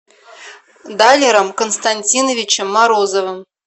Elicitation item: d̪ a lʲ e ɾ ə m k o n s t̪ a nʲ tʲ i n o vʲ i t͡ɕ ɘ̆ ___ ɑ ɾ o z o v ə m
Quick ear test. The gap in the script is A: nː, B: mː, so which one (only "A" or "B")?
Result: B